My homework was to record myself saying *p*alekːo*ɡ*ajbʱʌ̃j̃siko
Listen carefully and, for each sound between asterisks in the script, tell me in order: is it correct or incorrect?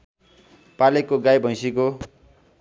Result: correct, correct

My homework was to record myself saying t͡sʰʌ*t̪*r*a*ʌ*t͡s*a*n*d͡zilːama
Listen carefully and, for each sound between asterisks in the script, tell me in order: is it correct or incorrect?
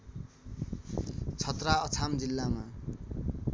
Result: correct, correct, incorrect: t͡sʰ, incorrect: m

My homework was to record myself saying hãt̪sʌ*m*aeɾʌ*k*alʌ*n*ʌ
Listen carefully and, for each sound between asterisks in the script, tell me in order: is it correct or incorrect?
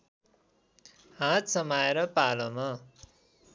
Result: correct, incorrect: p, incorrect: m

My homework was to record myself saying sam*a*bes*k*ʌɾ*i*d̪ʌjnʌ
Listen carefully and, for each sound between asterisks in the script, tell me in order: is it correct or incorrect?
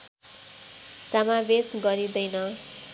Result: correct, incorrect: ɡ, correct

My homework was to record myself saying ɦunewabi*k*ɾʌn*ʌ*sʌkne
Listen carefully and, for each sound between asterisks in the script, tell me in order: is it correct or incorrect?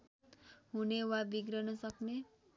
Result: incorrect: ɡ, correct

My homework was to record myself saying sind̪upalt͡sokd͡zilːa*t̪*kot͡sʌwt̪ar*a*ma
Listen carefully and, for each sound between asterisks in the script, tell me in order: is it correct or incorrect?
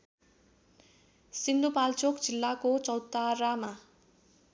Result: incorrect: none, correct

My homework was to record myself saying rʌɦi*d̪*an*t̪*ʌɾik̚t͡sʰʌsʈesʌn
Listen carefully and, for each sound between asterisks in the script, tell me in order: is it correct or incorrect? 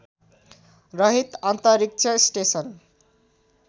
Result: incorrect: t̪, correct

